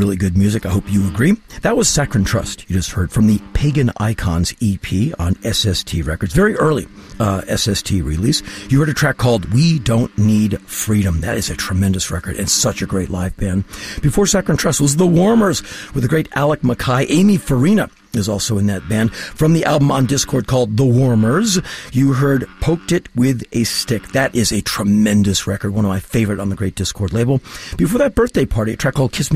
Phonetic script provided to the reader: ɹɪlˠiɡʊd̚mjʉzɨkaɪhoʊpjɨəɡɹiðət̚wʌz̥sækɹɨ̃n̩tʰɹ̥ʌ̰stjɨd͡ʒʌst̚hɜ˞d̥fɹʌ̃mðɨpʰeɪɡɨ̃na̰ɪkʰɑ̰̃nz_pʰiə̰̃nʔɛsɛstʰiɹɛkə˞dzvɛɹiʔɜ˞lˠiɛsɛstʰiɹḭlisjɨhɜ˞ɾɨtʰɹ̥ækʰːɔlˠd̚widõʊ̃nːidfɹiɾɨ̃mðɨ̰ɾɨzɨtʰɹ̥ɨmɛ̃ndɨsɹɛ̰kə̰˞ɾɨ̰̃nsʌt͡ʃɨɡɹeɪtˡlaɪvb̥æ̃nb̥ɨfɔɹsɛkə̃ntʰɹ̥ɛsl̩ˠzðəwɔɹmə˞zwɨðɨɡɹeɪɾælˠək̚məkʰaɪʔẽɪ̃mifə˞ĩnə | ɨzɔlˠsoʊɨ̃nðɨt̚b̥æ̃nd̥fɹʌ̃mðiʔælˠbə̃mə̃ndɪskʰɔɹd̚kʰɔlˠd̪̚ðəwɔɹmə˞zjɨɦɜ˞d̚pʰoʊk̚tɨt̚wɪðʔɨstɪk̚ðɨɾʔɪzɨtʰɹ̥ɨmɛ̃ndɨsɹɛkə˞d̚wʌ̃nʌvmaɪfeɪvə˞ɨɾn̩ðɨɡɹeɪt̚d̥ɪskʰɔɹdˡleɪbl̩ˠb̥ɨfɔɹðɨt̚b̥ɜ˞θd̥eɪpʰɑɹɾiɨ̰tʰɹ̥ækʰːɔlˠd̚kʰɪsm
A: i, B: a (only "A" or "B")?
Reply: A